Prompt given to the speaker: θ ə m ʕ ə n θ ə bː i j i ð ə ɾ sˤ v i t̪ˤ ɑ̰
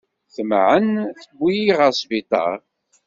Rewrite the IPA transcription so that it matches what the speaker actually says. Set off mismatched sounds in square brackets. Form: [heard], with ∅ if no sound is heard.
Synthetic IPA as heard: θ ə m ʕ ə n θ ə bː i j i [ʁ] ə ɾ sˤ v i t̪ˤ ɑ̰